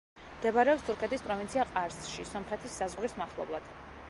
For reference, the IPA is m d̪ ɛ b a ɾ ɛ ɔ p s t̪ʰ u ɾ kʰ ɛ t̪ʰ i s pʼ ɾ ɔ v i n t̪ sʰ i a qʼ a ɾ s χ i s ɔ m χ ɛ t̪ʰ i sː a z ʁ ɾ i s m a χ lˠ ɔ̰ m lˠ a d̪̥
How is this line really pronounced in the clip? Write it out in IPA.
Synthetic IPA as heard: m d̪ ɛ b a ɾ ɛ ɔ p s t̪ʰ u ɾ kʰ ɛ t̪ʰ i s pʼ ɾ ɔ v i n t̪ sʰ i a qʼ a ɾ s ʃ i s ɔ m χ ɛ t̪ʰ i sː a z ʁ ɾ i s m a χ lˠ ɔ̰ b lˠ a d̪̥